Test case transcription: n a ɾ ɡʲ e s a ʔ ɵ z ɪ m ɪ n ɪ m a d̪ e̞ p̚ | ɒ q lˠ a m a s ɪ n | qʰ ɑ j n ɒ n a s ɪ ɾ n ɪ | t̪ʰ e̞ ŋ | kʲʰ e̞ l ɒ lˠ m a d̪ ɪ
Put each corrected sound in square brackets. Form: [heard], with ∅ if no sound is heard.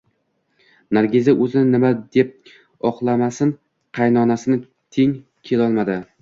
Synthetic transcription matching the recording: n a ɾ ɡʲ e [z] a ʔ ɵ z ɪ [n] ɪ n ɪ m a d̪ e̞ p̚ | ɒ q lˠ a m a s ɪ n | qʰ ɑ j n ɒ n a s ɪ [∅] n ɪ | t̪ʰ e̞ ŋ | kʲʰ e̞ l ɒ lˠ m a d̪ ɪ